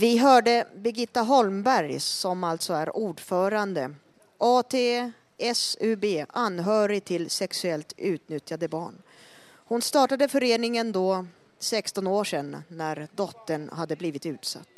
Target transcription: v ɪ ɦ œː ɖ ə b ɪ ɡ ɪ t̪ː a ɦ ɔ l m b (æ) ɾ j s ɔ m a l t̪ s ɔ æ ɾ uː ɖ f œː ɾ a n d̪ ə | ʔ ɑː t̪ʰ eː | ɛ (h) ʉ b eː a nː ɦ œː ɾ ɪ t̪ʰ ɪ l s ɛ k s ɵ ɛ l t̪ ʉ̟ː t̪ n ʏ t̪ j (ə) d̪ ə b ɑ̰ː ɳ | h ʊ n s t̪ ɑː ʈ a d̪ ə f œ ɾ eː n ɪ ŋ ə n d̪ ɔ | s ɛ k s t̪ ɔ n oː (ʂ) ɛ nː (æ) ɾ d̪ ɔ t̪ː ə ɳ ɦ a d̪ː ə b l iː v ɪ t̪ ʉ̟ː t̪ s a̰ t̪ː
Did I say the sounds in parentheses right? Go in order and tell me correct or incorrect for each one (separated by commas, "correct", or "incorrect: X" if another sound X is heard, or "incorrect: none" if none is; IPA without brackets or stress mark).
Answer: correct, incorrect: s, incorrect: a, correct, correct